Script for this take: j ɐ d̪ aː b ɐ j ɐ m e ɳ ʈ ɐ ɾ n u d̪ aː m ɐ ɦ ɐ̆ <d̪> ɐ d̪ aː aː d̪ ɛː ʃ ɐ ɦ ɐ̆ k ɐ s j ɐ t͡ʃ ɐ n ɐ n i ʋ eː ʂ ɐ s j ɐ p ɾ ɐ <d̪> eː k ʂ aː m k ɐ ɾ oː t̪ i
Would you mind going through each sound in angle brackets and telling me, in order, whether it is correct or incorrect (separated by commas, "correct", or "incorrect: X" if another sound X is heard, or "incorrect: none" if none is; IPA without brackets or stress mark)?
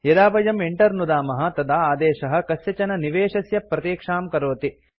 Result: incorrect: t̪, incorrect: t̪